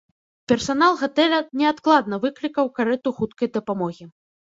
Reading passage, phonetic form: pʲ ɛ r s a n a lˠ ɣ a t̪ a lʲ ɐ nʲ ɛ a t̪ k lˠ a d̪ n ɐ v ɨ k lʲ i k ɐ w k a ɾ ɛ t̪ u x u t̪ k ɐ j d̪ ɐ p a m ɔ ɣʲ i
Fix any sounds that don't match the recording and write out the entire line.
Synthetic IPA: pʲ ɛ r s a n a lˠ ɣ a t̪ ɛ lʲ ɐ nʲ ɛ a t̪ k lˠ a d̪ n ɐ v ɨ k lʲ i k ɐ w k a ɾ ɛ t̪ u x u t̪ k ɐ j d̪ ɐ p a m ɔ ɣʲ i